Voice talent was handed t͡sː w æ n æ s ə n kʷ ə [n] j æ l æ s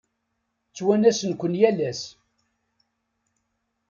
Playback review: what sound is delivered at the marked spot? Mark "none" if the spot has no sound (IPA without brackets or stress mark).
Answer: n